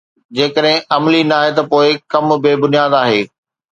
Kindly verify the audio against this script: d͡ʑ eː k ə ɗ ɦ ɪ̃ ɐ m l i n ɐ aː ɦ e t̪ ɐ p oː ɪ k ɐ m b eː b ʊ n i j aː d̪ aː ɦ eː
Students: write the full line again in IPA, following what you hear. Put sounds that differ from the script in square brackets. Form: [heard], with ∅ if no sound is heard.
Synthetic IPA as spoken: d͡ʑ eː k ə ɗ ɦ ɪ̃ ɐ m l i n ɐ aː ɦ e t̪ ɐ p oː ɪ k ɐ m b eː b ʊ n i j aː d̪ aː ɦ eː